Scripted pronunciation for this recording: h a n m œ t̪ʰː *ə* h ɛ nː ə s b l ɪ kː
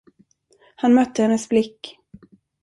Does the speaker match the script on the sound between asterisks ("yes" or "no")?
yes